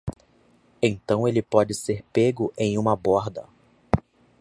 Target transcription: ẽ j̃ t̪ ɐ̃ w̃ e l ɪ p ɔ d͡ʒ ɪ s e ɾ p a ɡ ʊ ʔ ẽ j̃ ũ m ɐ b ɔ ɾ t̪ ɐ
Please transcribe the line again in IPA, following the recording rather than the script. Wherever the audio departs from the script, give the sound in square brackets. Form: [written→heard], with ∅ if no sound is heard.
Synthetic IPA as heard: ẽ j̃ t̪ ɐ̃ w̃ e l ɪ p ɔ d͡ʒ ɪ s e ɾ p [a→e] ɡ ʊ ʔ ẽ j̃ ũ m ɐ b ɔ ɾ [t̪→d̪] ɐ